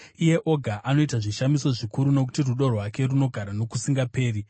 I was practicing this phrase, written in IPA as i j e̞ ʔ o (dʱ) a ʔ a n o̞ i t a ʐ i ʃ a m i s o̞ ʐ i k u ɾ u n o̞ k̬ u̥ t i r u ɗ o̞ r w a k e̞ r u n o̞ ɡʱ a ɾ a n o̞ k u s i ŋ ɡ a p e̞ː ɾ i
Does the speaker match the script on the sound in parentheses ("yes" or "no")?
no